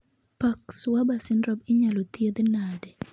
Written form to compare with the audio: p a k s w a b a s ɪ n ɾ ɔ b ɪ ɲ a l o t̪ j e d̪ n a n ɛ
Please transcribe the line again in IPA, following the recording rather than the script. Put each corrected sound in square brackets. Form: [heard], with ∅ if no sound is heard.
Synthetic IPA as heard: p a k s w a b a s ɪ n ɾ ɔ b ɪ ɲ a l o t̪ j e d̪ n a [d] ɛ